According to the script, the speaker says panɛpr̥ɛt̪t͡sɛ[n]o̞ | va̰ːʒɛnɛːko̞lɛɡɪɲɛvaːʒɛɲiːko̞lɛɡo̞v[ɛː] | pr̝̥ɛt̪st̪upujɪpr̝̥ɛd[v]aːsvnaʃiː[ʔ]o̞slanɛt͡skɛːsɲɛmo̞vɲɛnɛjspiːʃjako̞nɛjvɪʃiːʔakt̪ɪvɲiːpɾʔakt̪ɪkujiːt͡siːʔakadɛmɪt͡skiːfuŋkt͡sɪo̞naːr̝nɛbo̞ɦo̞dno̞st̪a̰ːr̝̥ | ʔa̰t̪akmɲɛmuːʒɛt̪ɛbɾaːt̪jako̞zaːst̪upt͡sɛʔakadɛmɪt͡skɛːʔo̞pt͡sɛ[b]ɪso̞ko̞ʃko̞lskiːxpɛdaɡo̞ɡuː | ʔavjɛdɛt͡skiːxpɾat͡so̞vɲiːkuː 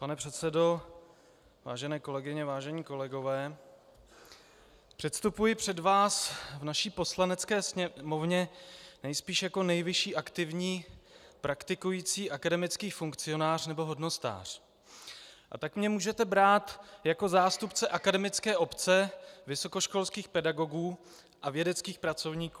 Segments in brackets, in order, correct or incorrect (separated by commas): incorrect, correct, correct, incorrect, incorrect